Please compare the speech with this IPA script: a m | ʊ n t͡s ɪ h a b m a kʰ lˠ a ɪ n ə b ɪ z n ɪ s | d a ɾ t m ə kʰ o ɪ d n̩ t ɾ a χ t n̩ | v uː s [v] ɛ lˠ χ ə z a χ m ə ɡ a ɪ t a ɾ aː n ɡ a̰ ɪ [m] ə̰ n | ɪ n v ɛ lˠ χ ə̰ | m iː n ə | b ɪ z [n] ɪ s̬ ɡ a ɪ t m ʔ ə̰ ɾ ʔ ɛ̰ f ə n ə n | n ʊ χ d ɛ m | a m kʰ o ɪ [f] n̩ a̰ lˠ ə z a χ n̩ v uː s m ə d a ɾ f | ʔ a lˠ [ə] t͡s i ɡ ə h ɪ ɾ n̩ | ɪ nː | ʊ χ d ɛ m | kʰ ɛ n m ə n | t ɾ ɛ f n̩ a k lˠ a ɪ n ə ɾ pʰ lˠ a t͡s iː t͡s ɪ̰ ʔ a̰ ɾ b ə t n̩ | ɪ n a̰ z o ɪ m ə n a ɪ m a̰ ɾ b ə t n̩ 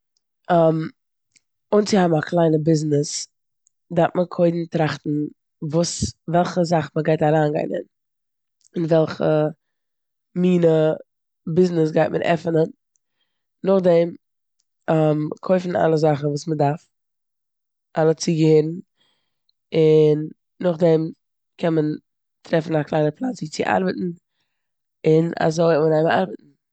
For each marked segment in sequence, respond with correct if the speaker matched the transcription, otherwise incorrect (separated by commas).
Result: correct, incorrect, correct, correct, correct